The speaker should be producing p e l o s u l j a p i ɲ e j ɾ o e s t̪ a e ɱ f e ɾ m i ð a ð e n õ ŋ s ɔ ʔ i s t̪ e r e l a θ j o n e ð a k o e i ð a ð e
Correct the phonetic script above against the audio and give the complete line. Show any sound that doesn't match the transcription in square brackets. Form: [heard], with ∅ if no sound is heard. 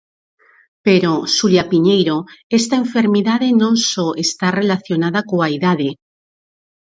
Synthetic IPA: p e [ɾ] o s u l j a p i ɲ e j ɾ o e s t̪ a e ɱ f e ɾ m i ð a ð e n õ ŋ s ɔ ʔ [e] s t̪ [a] r e l a θ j o n [a] ð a k o [a] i ð a ð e